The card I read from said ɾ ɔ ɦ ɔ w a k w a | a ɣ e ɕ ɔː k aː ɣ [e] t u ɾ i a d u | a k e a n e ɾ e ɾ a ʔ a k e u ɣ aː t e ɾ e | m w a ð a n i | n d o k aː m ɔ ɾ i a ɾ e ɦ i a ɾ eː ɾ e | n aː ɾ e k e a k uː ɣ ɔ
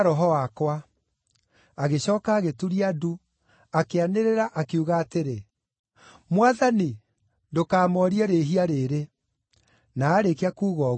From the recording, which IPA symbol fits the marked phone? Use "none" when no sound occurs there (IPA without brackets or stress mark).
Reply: e